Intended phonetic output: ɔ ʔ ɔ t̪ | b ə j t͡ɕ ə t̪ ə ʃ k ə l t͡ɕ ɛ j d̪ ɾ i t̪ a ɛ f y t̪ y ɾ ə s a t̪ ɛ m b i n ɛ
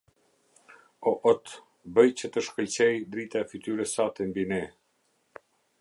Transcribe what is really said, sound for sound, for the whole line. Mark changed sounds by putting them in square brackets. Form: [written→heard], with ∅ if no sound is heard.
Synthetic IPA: ɔ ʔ ɔ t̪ | b ə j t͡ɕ ə t̪ ə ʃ k ə l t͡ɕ ɛ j d̪ ɾ i t̪ a ɛ f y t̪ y ɾ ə s a t̪ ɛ m b i n ɛ